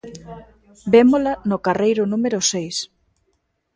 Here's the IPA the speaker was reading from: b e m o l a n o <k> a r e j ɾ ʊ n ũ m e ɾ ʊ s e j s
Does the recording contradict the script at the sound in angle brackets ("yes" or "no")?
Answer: no